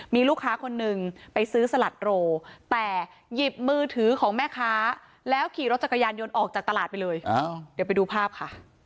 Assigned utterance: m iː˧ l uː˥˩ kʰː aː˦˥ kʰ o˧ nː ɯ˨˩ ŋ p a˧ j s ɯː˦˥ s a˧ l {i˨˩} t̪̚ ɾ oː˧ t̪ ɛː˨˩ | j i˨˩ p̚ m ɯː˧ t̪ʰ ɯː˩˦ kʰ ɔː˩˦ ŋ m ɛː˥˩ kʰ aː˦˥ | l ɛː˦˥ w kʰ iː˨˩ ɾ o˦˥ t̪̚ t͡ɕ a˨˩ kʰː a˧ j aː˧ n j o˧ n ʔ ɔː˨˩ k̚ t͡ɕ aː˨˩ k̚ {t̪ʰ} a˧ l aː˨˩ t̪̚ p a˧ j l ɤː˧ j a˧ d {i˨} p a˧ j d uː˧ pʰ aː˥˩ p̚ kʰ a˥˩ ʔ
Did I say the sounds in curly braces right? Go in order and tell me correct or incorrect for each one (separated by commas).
incorrect, incorrect, incorrect